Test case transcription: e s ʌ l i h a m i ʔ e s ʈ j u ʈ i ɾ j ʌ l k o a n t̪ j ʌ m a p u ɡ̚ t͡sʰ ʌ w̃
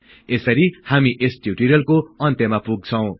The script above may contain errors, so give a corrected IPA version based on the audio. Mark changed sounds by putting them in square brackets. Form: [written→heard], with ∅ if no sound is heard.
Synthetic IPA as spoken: e s ʌ [l→ɾ] i h a m i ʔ e s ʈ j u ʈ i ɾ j ʌ l k o [a→ʌ] n t̪ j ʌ m a p u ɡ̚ t͡sʰ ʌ w̃